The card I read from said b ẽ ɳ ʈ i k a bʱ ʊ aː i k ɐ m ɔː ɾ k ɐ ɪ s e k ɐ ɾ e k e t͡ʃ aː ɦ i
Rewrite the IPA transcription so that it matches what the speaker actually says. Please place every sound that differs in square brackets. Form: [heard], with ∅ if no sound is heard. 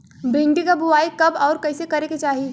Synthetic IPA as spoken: b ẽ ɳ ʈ i k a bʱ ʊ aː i k ɐ [b] ɔː ɾ k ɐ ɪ s e k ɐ ɾ e k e t͡ʃ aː ɦ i